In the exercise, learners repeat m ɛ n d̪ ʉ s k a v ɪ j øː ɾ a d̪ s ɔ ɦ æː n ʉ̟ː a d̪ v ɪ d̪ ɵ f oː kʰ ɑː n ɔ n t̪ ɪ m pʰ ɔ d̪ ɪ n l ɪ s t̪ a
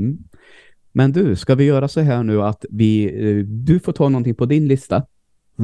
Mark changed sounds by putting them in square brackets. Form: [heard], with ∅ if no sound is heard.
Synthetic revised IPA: m ɛ n d̪ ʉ s k a v ɪ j [œː] ɾ a [∅] s ɔ ɦ æː [ɳ] ʉ̟ː a [t̪] v ɪ d̪ ɵ f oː [ʈʰ] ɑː n ɔ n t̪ ɪ [ŋ] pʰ ɔ d̪ ɪ n l ɪ s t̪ a